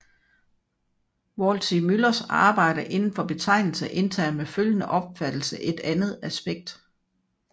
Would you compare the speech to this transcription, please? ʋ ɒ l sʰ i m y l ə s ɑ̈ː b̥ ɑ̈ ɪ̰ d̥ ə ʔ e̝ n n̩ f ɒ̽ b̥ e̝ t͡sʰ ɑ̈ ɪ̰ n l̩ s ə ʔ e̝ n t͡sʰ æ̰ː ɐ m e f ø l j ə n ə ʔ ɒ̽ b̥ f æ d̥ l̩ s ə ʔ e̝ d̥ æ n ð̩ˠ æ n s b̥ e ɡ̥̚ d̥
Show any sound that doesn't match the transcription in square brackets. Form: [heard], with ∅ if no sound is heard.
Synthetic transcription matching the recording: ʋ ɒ l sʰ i m y l [ɐ] s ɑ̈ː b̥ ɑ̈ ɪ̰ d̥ ə ʔ e̝ n n̩ f ɒ̽ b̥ e̝ t͡sʰ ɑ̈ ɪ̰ n l̩ s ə ʔ e̝ n t͡sʰ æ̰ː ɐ m e f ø l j ə n ə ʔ ɒ̽ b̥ f æ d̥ l̩ s ə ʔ e̝ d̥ æ n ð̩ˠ æ [∅] s b̥ e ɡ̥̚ d̥

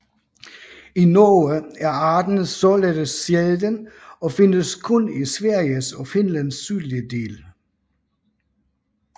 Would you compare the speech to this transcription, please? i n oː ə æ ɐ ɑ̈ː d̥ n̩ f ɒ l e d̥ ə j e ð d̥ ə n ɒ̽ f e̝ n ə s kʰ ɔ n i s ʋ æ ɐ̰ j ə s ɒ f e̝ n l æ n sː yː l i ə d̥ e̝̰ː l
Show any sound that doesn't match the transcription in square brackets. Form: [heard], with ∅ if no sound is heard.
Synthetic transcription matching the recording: i n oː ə æ ɐ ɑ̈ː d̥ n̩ [s] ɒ l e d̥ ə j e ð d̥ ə n ɒ̽ f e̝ n ə s kʰ ɔ n i s ʋ æ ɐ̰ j ə s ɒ f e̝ n l æ n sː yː l i ə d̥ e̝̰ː l

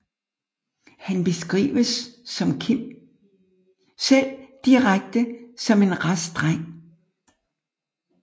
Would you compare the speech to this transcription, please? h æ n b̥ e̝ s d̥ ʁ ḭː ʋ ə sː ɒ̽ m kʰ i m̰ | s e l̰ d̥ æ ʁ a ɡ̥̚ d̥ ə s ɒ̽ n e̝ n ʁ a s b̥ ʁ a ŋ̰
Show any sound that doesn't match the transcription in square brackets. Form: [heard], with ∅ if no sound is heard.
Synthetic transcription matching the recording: h æ n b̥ e̝ s [ɡ̥] ʁ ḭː ʋ ə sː ɒ̽ m kʰ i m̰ | s e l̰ d̥ [i] ʁ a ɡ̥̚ d̥ ə s ɒ̽ [m] e̝ n ʁ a s [d̥] ʁ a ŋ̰

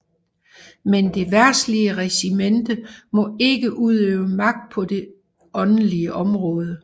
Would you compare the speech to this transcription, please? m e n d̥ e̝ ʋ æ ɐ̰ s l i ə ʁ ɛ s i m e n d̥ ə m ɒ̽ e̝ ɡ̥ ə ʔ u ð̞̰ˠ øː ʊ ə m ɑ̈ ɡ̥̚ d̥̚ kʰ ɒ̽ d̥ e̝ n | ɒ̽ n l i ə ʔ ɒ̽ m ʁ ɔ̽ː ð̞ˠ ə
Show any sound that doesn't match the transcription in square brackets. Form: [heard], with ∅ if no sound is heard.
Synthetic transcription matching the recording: m e n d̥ e̝ ʋ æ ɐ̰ s l i ə ʁ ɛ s i m e n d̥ ə m ɒ̽ e̝ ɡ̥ ə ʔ u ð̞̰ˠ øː ʊ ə m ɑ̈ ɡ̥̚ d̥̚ [pʰ] ɒ̽ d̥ e̝ [∅] | ɒ̽ n l i ə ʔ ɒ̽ m ʁ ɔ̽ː ð̞ˠ ə

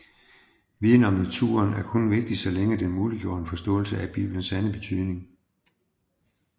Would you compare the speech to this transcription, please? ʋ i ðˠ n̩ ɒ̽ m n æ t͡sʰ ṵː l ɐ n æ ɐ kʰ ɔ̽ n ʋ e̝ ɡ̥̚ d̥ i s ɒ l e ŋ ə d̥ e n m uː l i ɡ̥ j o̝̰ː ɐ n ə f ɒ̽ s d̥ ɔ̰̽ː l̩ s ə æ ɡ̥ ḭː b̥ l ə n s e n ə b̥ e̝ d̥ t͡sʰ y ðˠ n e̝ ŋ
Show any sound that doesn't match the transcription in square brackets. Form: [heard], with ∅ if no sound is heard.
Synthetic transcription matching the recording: ʋ i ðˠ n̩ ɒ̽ m n æ t͡sʰ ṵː [∅] ɐ n æ ɐ kʰ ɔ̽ n ʋ e̝ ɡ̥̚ d̥ i s ɒ l e ŋ ə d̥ e n m uː l i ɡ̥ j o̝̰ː ɐ n ə f ɒ̽ s d̥ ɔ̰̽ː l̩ s ə æ [b̥] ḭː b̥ l ə n s [æ] n ə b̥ e̝ [∅] t͡sʰ y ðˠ n e̝ ŋ

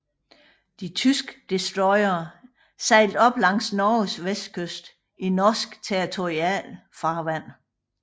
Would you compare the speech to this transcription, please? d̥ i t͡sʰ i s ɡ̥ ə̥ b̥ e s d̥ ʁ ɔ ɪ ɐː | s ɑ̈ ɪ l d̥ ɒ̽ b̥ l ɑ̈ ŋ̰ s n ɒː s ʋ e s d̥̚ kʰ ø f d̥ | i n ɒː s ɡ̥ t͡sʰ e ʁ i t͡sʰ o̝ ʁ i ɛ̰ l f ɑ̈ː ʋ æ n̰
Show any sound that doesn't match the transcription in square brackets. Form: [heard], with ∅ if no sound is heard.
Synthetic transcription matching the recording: d̥ i t͡sʰ [y] s ɡ̥ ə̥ [d̥] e s d̥ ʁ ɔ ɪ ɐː | s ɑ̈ ɪ l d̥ ɒ̽ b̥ l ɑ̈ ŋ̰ s n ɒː s ʋ e s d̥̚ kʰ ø [s] d̥ | i n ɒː s ɡ̥ t͡sʰ e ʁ i t͡sʰ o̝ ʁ i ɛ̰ l f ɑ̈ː ʋ æ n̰

